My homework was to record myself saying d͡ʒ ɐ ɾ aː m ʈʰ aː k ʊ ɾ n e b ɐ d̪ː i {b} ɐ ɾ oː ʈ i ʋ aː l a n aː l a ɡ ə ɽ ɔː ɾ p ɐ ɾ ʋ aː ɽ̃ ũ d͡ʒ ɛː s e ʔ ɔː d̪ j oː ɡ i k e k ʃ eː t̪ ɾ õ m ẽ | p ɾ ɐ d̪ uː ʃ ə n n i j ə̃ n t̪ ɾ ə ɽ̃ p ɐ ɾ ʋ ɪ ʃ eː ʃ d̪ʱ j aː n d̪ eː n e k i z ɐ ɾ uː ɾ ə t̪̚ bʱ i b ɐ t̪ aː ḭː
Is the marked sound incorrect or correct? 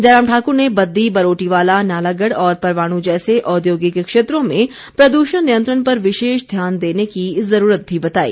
correct